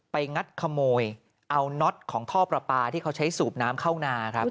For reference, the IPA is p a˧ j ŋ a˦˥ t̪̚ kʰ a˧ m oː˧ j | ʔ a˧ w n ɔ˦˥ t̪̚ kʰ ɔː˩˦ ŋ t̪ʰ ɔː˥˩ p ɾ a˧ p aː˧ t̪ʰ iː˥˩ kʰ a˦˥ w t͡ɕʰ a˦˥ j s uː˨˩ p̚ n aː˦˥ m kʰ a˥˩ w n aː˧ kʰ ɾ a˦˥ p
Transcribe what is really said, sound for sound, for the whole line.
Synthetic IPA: p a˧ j ŋ a˦˥ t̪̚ kʰ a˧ m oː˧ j | ʔ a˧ w n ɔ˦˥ t̪̚ kʰ ɔː˩˦ ŋ t̪ʰ ɔː˥˩ p ɾ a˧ p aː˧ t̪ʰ iː˥˩ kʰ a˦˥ w t͡ɕʰ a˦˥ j s uː˨˩ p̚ n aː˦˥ m kʰ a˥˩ w n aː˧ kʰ ɾ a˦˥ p